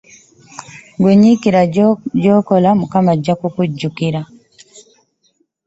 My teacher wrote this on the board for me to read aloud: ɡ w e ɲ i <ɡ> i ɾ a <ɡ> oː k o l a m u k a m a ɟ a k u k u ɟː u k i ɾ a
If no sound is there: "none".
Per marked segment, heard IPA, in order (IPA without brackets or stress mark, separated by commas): k, ɟ